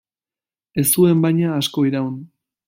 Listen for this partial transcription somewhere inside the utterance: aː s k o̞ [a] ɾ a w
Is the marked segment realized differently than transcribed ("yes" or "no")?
yes